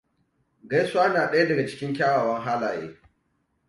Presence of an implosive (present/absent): present